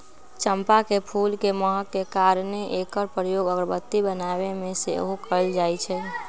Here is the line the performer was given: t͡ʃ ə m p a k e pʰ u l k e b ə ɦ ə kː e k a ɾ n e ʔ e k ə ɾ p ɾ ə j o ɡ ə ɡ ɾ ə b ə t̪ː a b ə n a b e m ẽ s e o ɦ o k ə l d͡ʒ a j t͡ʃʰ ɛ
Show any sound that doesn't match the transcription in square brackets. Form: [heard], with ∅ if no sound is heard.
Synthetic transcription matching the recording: t͡ʃ ə m p a k e pʰ u l k e [m] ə ɦ ə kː e k a ɾ n e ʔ e k ə ɾ p ɾ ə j o ɡ ə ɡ ɾ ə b ə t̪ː [i] b ə n a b e m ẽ s e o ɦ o k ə l d͡ʒ a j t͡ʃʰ ɛ